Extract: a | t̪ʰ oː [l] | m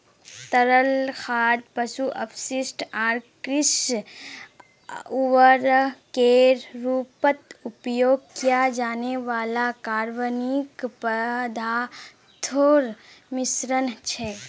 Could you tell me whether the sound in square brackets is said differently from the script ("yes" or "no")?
yes